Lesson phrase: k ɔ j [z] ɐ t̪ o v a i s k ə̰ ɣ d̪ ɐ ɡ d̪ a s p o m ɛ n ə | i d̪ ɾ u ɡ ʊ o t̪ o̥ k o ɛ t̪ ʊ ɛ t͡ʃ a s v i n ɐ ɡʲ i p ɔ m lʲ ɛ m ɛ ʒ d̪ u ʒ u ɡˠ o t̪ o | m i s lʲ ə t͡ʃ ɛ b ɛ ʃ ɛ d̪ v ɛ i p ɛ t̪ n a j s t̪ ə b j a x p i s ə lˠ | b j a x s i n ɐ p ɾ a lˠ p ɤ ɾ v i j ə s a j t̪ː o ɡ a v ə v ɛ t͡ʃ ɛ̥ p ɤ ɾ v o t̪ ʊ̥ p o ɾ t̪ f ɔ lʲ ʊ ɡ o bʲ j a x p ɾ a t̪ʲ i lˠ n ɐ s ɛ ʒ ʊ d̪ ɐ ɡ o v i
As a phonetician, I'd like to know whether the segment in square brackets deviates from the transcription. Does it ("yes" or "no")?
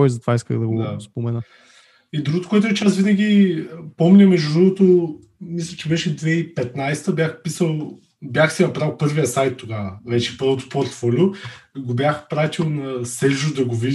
no